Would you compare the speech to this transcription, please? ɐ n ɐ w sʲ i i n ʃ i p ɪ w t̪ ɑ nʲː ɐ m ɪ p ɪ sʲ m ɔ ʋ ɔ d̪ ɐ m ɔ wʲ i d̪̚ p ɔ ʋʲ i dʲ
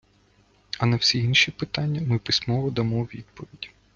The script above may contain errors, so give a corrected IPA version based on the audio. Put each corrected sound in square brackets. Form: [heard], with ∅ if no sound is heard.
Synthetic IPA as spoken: ɐ n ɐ w sʲ i i n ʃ i p ɪ [∅] t̪ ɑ nʲː ɐ m ɪ p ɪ sʲ m ɔ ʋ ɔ d̪ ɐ m ɔ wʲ i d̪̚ p ɔ ʋʲ i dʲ